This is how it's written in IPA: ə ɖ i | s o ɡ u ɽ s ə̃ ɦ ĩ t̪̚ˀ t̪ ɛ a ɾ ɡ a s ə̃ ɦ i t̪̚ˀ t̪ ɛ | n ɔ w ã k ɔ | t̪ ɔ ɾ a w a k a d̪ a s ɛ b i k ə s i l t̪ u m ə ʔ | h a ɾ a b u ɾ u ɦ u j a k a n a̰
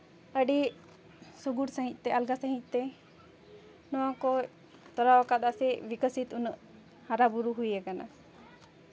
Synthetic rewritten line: ə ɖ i | s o ɡ u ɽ s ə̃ ɦ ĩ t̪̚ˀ t̪ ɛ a l ɡ a s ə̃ ɦ i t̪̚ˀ t̪ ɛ | n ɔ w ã k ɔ | t̪ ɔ ɾ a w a k a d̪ a s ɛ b i k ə s i t̪ u n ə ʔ | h a ɾ a b u ɾ u ɦ u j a k a n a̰